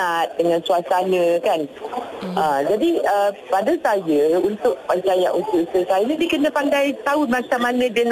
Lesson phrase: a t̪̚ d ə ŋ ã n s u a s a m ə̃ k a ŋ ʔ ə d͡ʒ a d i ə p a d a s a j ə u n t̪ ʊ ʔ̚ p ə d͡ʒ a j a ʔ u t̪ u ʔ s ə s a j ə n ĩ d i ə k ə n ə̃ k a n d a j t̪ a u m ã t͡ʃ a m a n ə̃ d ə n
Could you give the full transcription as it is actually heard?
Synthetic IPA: a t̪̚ d ə ŋ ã n s u a s a n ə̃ k a n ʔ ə d͡ʒ a d i ə p a d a s a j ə u n t̪ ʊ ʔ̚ p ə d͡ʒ a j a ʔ u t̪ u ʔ s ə s a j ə n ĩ d i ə k ə n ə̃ p a n d a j t̪ a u m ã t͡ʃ a m a n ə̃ d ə n